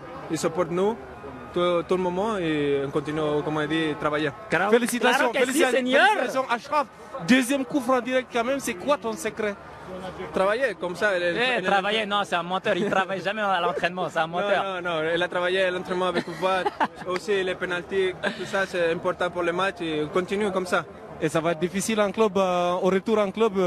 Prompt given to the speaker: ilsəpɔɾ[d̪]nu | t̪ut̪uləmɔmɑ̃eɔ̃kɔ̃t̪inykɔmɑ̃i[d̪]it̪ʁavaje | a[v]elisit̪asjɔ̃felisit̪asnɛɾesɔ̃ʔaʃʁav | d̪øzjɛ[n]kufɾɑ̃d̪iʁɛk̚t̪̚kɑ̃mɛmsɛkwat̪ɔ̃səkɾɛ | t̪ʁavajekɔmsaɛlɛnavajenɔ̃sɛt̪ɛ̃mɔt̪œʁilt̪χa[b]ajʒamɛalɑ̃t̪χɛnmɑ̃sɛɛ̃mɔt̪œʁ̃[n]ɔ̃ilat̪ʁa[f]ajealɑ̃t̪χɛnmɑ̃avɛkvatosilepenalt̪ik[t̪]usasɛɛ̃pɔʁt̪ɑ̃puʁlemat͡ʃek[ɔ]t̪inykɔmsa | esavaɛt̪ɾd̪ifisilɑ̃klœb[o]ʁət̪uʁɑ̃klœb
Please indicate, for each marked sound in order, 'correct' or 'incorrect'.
incorrect, correct, incorrect, incorrect, incorrect, correct, incorrect, correct, incorrect, correct

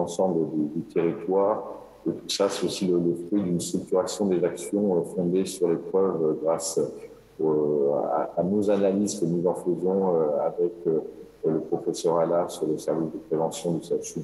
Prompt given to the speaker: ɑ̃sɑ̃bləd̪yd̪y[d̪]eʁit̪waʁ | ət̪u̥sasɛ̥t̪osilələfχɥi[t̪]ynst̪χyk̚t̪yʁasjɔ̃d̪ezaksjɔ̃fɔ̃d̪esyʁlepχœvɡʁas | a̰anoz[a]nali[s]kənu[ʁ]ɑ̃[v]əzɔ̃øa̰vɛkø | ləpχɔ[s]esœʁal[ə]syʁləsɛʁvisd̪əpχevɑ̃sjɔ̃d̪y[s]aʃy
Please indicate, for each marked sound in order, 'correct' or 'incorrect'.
incorrect, incorrect, correct, incorrect, incorrect, incorrect, incorrect, incorrect, correct

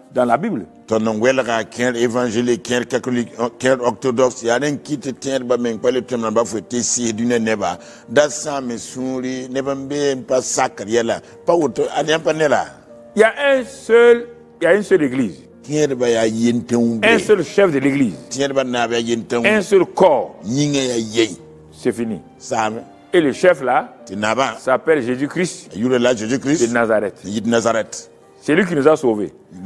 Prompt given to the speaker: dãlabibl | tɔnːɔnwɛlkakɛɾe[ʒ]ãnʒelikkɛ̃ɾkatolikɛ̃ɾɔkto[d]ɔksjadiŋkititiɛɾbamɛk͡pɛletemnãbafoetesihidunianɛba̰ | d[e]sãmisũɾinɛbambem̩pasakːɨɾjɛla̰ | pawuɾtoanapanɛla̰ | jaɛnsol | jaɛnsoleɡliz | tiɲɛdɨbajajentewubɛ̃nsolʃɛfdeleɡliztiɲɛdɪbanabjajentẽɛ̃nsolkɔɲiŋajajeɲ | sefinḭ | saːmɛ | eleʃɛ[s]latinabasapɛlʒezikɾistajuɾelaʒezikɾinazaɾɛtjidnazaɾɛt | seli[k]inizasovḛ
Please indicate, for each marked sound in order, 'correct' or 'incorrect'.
incorrect, correct, incorrect, incorrect, correct

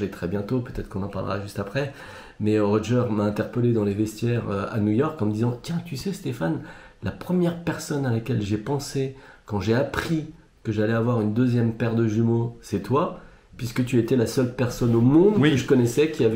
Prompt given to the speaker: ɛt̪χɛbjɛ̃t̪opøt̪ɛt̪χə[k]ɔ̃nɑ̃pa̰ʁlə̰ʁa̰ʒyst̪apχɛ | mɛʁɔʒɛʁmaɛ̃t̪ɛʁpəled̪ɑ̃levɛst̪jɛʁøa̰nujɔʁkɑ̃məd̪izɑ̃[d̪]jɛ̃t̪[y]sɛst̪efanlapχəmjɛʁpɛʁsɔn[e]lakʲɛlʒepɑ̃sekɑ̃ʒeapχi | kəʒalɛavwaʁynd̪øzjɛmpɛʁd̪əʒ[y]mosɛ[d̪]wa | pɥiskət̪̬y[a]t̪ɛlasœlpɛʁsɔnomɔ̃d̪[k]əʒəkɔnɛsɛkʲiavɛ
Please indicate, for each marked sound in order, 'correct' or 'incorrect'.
correct, incorrect, correct, incorrect, correct, incorrect, incorrect, correct

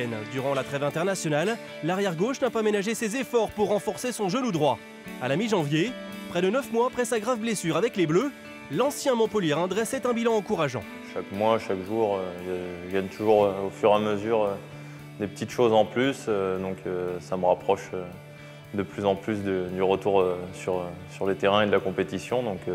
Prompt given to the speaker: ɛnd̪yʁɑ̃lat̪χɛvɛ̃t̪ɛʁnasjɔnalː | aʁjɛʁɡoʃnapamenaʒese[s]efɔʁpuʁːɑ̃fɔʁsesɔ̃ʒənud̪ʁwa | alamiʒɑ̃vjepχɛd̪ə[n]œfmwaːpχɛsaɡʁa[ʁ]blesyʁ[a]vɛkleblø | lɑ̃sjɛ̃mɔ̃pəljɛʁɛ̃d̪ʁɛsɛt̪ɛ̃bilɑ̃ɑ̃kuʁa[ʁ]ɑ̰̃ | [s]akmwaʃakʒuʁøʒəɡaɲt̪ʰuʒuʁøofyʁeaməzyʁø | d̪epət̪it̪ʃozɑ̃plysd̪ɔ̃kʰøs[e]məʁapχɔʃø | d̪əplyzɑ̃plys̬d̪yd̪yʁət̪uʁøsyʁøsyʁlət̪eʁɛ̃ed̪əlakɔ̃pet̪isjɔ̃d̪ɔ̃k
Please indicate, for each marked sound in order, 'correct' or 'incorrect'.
incorrect, correct, incorrect, correct, incorrect, incorrect, incorrect

